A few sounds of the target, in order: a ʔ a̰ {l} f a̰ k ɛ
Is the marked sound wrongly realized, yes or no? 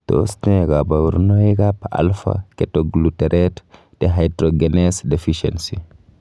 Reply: no